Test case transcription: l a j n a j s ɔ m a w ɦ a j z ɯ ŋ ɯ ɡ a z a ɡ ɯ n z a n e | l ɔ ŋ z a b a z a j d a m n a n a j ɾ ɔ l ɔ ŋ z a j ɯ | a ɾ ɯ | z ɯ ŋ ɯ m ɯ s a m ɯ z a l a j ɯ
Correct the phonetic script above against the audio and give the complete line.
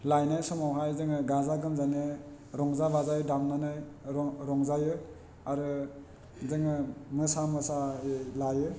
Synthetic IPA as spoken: l a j n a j s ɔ m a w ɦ a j z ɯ ŋ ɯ ɡ a z a ɡ ɯ m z a n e | ɾ ɔ ŋ z a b a z a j d a m n a n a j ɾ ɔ ɾ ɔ ŋ z a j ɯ | a ɾ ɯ | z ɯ ŋ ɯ m ɯ s a m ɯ s a l a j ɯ

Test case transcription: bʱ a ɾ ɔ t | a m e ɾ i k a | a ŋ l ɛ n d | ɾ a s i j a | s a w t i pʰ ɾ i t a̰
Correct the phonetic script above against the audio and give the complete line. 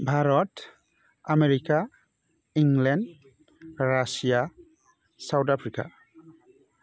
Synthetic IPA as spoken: bʱ a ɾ ɔ t | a m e ɾ i k a | i ŋ l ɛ n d | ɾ a s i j a | s a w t a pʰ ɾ i k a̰

